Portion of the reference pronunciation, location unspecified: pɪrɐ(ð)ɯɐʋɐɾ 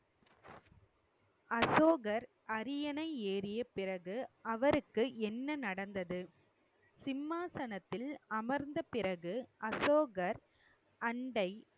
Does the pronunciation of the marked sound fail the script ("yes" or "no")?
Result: yes